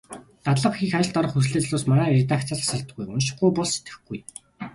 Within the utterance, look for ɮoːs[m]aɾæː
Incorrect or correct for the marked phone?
correct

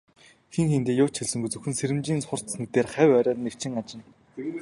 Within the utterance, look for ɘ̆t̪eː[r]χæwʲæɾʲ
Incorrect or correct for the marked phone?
correct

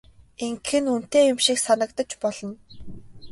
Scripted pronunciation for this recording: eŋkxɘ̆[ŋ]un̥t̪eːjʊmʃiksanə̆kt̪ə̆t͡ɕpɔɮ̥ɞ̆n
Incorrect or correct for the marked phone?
incorrect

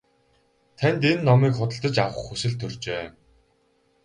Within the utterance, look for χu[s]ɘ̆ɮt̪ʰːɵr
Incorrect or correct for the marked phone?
correct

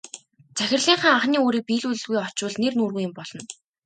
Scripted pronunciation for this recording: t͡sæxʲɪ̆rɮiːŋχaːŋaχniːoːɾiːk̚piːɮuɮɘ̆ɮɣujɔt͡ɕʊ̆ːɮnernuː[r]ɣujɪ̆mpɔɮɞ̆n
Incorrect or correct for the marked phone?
correct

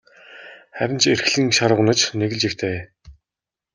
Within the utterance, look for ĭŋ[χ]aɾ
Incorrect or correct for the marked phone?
incorrect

